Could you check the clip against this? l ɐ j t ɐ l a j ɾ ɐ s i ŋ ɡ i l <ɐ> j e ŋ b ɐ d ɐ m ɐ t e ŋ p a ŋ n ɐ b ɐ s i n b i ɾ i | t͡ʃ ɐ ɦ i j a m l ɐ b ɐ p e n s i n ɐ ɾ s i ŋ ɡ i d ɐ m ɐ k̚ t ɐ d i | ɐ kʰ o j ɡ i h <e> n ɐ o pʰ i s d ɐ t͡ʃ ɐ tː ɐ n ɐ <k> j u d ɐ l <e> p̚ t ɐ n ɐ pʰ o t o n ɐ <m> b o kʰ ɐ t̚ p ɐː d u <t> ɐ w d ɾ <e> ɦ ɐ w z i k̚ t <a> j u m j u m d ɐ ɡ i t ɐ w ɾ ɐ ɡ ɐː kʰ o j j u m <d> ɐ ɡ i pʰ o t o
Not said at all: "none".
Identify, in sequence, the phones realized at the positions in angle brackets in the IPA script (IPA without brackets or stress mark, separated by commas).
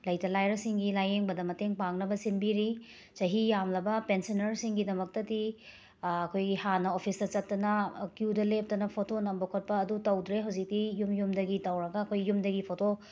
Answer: a, a, k, e, m, t, e, i, d